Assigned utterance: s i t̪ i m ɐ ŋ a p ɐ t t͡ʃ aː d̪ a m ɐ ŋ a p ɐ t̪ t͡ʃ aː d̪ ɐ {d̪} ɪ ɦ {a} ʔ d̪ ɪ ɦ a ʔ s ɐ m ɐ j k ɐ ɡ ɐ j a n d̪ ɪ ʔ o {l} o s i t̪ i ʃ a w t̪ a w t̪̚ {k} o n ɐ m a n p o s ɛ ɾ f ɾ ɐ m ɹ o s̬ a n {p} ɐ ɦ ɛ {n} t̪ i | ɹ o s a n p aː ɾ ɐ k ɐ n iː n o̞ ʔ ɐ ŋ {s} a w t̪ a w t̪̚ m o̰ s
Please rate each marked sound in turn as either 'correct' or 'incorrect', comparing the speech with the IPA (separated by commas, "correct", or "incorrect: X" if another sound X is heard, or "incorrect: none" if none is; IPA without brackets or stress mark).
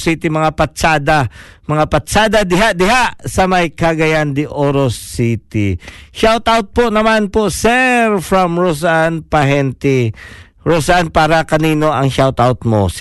correct, correct, incorrect: ɾ, incorrect: p, correct, correct, incorrect: ʃ